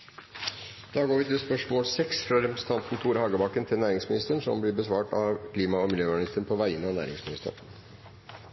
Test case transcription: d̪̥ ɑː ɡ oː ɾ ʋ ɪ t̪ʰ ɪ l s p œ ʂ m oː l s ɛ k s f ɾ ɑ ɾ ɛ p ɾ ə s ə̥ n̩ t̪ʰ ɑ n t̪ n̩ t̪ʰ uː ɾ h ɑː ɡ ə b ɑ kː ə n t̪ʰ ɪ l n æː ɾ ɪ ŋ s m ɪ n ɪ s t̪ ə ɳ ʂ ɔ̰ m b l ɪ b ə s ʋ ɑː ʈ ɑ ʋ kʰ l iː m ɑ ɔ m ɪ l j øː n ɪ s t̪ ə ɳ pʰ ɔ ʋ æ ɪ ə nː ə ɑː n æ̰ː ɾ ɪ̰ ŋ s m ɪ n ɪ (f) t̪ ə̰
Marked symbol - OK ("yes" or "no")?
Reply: no